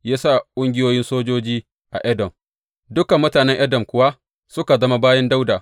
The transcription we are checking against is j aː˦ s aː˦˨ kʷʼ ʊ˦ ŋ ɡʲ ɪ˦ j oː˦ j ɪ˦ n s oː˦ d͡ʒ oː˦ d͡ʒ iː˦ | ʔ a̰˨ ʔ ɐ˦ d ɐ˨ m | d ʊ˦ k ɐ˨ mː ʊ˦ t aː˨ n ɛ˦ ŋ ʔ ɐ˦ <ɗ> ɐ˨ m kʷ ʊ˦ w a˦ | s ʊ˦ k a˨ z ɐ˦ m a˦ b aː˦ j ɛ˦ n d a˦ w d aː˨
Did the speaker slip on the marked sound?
yes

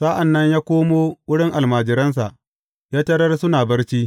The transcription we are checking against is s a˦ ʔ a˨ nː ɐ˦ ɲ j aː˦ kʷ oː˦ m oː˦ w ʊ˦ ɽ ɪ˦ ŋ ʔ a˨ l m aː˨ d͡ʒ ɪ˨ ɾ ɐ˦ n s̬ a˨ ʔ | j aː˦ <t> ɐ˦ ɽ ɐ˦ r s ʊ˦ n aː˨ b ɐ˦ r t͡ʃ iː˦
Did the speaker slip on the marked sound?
no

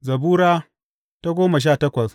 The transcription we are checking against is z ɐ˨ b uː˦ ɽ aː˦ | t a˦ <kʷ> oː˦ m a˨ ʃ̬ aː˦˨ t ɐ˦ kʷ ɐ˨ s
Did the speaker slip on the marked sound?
yes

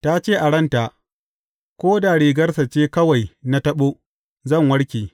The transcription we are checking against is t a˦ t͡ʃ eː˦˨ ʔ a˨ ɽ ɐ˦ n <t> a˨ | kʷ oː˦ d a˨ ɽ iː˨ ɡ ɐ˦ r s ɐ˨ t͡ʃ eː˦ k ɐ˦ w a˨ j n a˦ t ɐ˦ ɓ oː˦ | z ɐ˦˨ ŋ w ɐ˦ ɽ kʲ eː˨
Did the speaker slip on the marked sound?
no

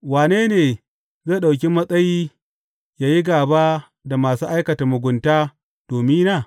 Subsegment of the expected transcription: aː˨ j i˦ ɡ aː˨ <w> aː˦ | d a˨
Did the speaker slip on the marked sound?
yes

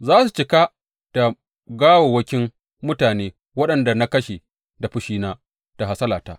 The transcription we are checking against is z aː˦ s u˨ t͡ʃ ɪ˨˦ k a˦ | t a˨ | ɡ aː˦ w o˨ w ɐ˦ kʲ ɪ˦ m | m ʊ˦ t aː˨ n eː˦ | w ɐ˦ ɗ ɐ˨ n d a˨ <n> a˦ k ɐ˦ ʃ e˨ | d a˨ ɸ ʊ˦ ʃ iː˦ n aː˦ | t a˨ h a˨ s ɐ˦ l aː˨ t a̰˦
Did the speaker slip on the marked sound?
no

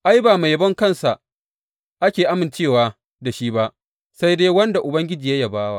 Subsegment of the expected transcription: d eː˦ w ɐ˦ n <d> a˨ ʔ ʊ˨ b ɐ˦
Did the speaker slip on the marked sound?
no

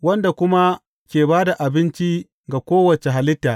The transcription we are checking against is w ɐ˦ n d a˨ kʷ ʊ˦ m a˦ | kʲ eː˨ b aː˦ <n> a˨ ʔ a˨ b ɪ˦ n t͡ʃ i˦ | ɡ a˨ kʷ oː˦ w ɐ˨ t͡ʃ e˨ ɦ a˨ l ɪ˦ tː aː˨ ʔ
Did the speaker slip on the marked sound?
yes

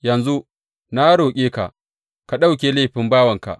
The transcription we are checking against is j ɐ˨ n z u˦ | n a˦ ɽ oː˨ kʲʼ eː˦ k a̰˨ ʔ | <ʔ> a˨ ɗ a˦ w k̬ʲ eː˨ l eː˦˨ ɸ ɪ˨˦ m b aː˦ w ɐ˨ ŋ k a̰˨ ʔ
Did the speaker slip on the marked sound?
yes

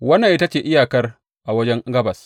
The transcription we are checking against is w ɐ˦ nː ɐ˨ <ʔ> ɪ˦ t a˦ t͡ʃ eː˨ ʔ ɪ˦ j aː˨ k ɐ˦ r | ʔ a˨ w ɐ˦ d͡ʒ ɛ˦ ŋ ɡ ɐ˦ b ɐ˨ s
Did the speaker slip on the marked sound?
no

